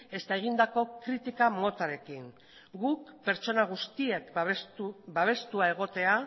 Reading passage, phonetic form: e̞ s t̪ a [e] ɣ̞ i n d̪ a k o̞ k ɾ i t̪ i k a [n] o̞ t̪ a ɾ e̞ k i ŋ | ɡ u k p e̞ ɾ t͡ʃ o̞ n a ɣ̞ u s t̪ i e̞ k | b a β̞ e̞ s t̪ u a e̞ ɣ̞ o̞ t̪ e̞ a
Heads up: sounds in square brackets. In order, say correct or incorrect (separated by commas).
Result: correct, incorrect